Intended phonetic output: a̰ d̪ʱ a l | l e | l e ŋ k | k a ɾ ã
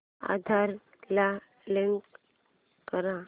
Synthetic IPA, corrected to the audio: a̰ d̪ʱ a ɾ | l a | l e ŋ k | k ə ɾ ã